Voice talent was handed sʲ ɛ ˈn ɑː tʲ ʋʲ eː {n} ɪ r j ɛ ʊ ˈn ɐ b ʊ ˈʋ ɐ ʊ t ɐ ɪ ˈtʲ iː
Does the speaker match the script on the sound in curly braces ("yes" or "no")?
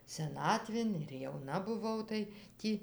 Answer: yes